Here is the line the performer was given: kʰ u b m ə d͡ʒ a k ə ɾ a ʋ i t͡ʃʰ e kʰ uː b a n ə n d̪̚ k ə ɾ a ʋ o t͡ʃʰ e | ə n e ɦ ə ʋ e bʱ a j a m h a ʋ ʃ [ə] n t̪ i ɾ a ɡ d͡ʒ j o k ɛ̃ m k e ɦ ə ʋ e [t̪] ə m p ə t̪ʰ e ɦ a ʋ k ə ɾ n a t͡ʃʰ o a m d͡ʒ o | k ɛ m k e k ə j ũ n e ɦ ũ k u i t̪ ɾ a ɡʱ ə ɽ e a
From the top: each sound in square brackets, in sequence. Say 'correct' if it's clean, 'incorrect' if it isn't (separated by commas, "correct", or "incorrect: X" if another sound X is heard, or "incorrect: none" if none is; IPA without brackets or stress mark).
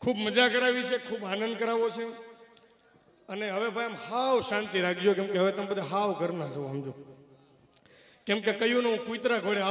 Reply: incorrect: a, correct